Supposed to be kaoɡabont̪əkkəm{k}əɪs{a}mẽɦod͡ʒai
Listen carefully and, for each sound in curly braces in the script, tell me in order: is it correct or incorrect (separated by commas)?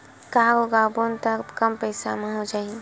incorrect, correct